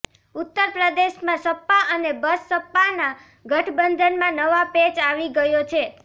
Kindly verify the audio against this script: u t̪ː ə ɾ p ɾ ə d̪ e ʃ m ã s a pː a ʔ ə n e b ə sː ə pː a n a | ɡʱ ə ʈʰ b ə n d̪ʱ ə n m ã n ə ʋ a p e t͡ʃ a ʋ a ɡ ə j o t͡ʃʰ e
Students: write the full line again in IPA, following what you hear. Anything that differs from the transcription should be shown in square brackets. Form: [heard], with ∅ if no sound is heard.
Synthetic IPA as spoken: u t̪ː ə ɾ p ɾ ə d̪ e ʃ m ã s [ə] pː a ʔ ə n e b ə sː ə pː a n a | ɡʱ ə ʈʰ b ə n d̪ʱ ə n m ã n ə ʋ a p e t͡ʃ a ʋ [i] ɡ ə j o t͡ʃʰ e